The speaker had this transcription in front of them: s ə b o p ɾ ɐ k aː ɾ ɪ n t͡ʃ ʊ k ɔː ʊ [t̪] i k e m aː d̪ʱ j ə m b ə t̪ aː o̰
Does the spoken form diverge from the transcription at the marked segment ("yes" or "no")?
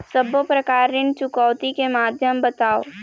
no